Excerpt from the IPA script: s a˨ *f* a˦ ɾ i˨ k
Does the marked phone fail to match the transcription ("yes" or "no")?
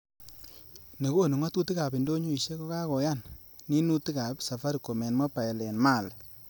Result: no